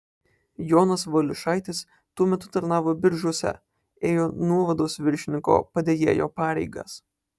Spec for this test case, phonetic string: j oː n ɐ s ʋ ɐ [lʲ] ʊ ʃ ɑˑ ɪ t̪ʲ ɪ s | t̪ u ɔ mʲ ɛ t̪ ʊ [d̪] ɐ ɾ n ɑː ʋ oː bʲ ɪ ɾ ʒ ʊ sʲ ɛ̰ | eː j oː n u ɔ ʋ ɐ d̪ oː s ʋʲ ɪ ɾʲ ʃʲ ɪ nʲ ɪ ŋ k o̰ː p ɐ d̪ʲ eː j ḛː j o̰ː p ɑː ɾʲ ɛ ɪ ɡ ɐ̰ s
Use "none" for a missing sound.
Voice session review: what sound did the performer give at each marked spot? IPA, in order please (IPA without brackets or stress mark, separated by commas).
lʲ, t̪